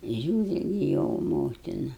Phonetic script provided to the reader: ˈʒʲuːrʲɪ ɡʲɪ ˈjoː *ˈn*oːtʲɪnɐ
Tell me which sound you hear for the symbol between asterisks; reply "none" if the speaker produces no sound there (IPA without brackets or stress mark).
m